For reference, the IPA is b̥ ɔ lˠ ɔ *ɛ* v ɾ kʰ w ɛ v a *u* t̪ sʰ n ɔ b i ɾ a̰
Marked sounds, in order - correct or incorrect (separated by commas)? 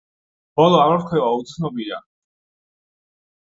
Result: incorrect, correct